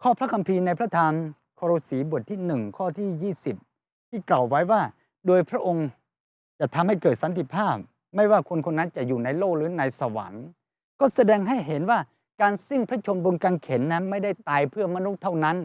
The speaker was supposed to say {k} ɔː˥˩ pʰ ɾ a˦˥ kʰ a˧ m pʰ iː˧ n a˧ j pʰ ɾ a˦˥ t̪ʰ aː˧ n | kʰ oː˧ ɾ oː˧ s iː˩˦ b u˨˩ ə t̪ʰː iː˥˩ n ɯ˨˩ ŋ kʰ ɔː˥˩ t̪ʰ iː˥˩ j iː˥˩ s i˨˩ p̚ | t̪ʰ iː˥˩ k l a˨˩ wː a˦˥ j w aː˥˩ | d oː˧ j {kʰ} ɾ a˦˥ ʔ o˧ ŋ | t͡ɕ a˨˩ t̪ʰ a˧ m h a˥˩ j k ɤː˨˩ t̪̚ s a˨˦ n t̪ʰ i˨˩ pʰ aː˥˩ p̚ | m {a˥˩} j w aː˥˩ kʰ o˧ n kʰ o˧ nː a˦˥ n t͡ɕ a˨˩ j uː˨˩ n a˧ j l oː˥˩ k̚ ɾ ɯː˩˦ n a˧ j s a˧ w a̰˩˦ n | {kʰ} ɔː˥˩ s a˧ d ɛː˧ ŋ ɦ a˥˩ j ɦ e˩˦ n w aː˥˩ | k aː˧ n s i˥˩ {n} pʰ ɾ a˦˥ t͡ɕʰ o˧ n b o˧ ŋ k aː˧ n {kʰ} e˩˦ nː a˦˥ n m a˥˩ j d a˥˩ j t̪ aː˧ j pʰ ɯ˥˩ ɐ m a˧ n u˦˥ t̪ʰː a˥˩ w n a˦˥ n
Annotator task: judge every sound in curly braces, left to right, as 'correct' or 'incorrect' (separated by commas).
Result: incorrect, incorrect, correct, incorrect, incorrect, correct